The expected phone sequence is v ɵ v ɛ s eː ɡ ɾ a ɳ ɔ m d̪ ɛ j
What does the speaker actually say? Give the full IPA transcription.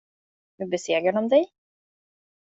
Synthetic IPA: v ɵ b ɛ s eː ɡ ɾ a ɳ ɔ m d̪ ɛ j

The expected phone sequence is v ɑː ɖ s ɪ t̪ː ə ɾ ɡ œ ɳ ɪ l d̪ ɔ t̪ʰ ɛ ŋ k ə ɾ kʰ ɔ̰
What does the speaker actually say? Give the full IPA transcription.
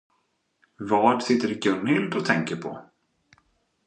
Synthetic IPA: v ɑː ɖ s ɪ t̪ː ə ɾ ɡ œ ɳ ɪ l d̪ ɔ t̪ʰ ɛ ŋ k ə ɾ pʰ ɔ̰

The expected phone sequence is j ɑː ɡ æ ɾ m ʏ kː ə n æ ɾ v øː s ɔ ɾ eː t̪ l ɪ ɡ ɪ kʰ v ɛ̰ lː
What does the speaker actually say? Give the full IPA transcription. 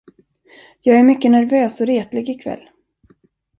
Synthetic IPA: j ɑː ɡ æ ɾ m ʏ kː ə n æ ɾ v øː s ɔ ɾ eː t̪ l ɪ ɡ ɪ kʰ v ɛ̰ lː

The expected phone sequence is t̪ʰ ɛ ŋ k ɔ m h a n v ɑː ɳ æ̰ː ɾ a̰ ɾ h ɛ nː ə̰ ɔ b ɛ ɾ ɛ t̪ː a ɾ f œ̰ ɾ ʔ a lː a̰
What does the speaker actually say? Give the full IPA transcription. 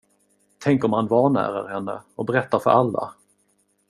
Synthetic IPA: t̪ʰ ɛ ŋ k ɔ m h a n v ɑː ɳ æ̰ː ɾ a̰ ɾ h ɛ nː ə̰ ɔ b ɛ ɾ ɛ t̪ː a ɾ f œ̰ ɾ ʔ a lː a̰

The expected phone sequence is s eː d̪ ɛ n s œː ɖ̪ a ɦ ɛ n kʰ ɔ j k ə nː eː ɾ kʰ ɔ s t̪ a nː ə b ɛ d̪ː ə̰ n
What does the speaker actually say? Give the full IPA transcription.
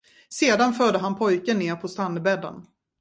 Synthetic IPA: s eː d̪ a n f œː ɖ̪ ə ɦ a n pʰ ɔ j k ə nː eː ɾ pʰ ɔ s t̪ a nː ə b ɛ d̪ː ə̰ n

